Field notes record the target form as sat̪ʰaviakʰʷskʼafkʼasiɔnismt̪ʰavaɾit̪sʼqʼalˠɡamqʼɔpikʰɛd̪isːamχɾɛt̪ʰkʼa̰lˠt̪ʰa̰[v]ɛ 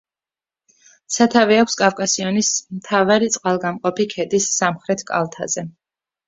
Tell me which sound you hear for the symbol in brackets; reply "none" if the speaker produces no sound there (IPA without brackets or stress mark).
z